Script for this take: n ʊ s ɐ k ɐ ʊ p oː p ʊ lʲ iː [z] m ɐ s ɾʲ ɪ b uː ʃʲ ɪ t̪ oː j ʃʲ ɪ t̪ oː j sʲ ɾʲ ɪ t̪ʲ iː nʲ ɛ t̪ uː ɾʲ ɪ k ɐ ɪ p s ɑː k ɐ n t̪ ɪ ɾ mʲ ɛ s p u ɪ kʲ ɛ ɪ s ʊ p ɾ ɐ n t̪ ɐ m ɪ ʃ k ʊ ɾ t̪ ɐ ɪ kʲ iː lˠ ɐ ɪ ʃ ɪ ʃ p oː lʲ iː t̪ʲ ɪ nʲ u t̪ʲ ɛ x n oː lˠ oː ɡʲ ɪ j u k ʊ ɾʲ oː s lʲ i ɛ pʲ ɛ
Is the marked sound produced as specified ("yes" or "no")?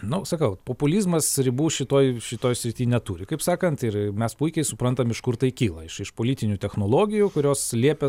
yes